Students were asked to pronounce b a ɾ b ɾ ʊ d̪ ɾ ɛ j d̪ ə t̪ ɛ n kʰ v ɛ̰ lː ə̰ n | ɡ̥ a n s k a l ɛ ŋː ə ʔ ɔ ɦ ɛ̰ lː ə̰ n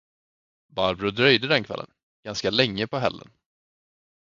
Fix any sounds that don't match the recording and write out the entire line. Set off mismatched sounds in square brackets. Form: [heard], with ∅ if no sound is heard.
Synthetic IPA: b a ɾ b ɾ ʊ d̪ ɾ [œ] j d̪ ə [d̪] ɛ n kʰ v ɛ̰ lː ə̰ n | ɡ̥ a n s k a l ɛ ŋː ə [p] ɔ ɦ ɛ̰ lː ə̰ n